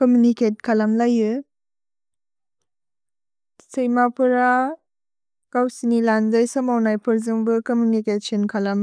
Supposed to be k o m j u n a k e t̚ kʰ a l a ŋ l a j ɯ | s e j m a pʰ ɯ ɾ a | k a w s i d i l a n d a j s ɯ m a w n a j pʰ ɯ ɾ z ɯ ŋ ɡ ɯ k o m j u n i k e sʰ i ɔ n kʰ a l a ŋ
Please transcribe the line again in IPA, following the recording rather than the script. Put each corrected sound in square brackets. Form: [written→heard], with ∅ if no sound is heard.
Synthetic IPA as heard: k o m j u n [a→i] k e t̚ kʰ a l a [ŋ→m] l a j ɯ | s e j m a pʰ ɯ ɾ a | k a w s i [d→n] i l a n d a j s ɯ m a w n a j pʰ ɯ ɾ z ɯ ŋ [ɡ→b] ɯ k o m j u n i k e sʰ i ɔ n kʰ a l a [ŋ→m]